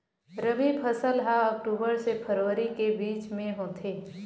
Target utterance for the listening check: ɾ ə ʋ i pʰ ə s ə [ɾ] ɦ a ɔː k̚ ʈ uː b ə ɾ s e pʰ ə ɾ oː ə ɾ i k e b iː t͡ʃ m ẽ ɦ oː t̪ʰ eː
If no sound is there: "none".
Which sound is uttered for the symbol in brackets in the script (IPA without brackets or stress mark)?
l